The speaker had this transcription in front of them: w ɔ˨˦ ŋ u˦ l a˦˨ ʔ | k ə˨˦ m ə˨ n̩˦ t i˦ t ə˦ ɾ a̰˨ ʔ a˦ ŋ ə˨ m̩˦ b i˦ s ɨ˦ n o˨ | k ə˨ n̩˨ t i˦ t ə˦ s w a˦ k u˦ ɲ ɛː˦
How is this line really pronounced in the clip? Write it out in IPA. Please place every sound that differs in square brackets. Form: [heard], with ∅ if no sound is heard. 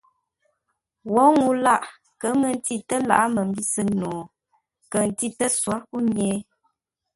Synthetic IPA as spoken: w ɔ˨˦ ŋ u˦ l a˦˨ ʔ | k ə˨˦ m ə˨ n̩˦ t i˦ t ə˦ [l] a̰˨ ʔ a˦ [m] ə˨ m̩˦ b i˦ s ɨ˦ n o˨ | k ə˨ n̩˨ t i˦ t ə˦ s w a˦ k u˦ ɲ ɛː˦